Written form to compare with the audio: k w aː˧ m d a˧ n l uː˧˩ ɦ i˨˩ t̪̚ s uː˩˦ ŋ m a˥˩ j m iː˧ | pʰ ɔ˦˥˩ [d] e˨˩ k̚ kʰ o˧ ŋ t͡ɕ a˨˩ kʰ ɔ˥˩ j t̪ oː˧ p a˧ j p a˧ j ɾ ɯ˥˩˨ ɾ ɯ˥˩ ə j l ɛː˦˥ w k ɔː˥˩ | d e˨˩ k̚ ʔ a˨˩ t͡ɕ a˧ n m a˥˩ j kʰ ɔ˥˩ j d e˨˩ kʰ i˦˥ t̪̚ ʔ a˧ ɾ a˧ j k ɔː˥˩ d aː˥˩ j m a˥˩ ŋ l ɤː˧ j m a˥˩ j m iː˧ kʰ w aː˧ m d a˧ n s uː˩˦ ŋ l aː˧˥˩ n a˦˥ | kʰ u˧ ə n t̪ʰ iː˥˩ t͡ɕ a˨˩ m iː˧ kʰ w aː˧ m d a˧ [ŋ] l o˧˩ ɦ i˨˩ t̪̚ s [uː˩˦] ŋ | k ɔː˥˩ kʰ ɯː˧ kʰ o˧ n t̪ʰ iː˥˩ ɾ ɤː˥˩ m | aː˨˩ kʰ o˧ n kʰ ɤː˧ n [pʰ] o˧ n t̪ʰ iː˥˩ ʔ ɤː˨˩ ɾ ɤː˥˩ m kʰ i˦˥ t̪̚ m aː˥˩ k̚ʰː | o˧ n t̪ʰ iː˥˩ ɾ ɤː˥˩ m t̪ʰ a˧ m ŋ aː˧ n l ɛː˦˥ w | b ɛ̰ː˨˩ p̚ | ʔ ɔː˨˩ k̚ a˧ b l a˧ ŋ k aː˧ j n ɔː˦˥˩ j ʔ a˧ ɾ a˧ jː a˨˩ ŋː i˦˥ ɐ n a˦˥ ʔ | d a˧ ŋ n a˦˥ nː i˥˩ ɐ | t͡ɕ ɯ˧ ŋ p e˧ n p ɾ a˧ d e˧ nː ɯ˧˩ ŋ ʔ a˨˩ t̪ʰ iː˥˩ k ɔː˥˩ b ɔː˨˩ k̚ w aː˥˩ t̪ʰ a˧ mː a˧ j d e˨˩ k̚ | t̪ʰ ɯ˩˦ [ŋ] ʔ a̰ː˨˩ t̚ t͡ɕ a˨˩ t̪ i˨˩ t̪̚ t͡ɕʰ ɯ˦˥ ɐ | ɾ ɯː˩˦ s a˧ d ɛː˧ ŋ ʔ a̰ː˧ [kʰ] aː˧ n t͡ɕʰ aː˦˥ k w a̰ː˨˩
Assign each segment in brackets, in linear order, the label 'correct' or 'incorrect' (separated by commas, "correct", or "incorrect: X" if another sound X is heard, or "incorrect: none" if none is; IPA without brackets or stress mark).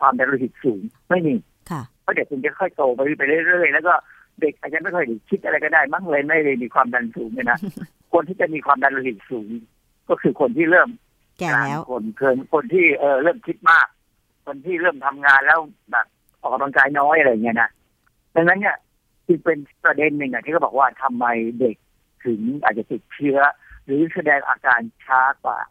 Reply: correct, incorrect: n, correct, incorrect: kʰ, correct, incorrect: k